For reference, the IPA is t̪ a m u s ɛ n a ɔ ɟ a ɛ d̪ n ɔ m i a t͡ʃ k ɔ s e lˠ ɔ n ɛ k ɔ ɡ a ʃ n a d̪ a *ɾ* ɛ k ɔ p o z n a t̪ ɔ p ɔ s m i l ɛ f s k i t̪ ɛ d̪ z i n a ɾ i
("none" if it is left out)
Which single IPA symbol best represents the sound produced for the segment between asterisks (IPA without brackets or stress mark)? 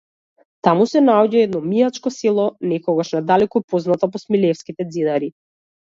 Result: l